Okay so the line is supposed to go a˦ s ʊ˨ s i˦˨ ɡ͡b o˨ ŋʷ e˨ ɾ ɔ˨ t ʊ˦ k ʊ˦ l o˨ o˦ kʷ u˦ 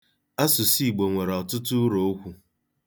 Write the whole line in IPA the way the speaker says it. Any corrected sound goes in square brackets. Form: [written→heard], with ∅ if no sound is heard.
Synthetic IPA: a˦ s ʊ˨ s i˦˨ ɡ͡b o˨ ŋʷ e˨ ɾ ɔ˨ t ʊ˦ [k→t] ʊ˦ [l→ɾ] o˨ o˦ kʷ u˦